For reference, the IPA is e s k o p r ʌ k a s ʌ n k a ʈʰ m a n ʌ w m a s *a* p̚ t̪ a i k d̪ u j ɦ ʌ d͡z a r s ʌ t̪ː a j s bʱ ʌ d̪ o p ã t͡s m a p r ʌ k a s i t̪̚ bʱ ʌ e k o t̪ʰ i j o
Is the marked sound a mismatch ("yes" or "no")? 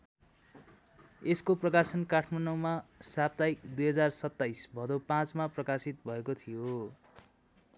no